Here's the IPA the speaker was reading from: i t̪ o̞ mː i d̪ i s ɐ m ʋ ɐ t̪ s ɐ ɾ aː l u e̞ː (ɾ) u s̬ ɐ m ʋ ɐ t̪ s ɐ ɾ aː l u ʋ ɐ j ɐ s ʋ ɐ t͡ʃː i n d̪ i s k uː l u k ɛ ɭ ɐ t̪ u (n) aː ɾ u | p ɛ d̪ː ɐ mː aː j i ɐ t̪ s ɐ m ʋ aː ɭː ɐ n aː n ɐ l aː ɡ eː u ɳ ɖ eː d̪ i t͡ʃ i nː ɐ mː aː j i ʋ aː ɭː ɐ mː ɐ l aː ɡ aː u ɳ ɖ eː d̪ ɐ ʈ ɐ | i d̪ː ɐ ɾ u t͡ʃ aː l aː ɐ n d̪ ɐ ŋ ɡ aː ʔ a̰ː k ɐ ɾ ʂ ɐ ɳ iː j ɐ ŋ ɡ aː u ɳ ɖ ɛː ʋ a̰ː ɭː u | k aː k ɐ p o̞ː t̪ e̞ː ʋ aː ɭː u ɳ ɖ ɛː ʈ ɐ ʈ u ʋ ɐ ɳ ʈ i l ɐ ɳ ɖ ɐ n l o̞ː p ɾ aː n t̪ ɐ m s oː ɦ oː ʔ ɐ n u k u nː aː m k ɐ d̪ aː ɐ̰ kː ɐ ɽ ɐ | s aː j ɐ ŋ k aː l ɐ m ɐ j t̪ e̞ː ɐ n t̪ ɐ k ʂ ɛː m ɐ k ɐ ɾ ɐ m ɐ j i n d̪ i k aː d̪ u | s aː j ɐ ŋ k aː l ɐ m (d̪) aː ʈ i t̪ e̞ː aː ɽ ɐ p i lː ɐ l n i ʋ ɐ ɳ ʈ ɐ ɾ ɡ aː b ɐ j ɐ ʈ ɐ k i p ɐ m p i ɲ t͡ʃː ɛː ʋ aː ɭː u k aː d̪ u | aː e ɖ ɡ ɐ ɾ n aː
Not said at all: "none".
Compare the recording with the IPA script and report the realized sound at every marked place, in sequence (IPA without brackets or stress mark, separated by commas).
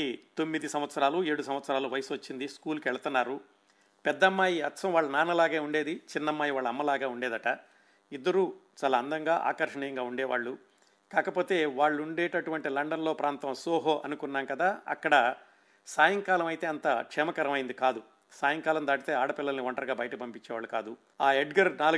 ɽ, nː, d̪